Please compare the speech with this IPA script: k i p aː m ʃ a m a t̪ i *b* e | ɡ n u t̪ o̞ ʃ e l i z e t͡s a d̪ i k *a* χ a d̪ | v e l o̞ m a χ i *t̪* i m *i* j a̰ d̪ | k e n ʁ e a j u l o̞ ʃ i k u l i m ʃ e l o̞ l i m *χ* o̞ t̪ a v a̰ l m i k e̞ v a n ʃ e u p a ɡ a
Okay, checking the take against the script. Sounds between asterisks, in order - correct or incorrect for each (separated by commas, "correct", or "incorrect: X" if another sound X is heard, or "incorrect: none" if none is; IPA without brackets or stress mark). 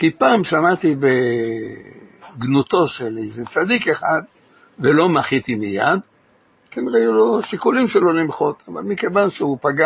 correct, incorrect: e, correct, correct, correct